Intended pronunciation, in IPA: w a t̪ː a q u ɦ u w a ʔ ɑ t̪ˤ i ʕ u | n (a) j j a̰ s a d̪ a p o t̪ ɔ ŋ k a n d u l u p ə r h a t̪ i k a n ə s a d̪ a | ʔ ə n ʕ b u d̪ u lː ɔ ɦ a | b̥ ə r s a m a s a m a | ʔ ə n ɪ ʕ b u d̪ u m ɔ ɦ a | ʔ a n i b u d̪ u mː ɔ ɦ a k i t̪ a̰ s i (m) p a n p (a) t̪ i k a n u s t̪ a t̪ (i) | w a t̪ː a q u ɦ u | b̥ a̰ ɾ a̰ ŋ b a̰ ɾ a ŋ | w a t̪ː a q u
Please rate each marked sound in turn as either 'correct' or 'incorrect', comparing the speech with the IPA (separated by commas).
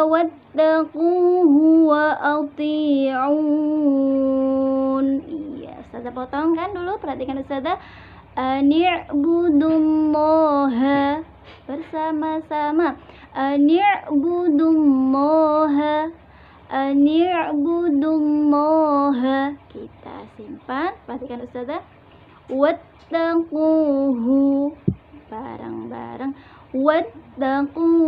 incorrect, correct, correct, incorrect